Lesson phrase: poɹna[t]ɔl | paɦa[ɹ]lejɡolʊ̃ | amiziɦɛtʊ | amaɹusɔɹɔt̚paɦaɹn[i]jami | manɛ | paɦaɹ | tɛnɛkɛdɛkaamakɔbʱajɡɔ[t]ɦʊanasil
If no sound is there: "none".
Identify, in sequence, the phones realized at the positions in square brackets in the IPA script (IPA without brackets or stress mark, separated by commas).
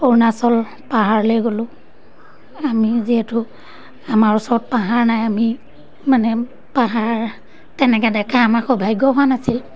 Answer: s, ɹ, a, none